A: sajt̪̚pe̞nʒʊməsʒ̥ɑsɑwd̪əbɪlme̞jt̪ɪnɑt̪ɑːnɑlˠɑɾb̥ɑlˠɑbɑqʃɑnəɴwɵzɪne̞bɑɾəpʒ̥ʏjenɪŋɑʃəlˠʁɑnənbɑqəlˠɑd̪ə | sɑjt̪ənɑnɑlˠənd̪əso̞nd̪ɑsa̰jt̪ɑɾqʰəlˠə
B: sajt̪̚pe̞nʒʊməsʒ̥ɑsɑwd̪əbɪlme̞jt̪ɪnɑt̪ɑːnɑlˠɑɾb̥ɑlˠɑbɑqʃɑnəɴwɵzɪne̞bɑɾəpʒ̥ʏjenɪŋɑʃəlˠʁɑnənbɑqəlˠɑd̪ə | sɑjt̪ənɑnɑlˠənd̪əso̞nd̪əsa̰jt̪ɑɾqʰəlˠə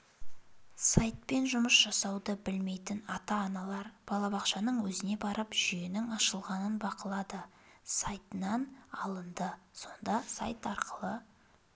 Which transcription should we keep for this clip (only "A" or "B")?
A